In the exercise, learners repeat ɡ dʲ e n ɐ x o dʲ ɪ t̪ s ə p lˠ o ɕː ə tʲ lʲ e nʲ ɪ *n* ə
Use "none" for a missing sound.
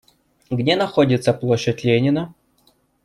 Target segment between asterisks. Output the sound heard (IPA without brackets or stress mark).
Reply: n